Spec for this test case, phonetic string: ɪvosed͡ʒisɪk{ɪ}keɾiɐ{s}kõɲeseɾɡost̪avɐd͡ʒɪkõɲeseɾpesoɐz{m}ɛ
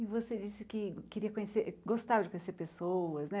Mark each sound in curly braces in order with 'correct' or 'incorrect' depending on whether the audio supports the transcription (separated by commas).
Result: correct, incorrect, incorrect